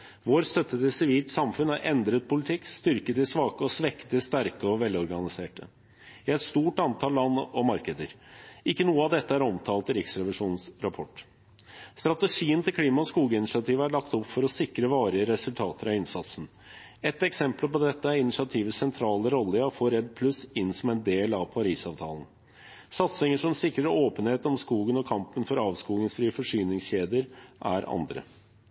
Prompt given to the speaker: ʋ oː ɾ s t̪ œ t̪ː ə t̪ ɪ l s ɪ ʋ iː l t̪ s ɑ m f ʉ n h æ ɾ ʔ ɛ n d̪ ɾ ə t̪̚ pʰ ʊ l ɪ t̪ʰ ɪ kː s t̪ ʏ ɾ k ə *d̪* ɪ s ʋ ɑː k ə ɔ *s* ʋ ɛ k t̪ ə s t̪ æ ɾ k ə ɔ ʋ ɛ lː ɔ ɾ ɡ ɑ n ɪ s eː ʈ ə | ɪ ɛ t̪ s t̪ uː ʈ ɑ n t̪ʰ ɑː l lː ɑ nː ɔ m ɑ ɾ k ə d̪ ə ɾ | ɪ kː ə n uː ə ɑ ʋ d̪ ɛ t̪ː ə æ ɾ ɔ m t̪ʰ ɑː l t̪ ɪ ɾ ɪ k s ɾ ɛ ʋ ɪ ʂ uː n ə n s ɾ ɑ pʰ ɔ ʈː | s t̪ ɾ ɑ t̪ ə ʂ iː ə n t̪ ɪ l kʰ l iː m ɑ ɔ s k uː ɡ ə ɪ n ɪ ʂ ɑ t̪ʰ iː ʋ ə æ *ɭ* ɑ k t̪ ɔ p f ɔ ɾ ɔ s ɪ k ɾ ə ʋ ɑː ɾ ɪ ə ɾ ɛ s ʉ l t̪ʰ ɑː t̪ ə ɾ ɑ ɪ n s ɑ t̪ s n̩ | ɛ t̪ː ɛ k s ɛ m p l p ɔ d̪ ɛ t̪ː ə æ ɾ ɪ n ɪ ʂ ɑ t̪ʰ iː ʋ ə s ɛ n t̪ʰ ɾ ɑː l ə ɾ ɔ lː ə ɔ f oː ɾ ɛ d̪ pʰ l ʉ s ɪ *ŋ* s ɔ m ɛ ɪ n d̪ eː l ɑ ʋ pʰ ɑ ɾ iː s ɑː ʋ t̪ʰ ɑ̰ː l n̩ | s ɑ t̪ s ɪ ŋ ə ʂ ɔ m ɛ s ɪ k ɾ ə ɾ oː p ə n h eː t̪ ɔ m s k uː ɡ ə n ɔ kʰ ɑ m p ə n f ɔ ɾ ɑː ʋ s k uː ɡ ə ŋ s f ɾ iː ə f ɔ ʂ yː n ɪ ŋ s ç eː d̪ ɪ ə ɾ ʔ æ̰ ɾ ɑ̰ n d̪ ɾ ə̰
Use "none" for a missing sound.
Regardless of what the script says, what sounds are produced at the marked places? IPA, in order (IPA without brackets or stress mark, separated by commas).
t̪, s, ɭ, n